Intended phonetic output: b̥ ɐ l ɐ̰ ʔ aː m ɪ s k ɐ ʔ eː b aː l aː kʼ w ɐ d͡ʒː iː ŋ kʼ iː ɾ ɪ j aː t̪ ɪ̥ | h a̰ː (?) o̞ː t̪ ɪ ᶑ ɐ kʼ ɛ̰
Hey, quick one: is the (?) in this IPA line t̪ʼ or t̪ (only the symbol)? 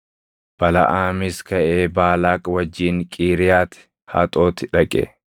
t̪ʼ